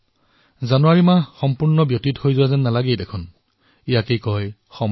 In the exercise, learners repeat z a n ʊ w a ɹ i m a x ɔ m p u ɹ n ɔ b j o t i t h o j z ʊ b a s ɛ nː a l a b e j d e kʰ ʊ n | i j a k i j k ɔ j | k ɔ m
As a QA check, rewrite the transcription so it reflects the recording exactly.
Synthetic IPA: z a n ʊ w a ɹ i m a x ɔ m p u ɹ n ɔ b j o t i t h o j z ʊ w a z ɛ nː a l a ɡ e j d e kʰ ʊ n | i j a k e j k ɔ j | x ɔ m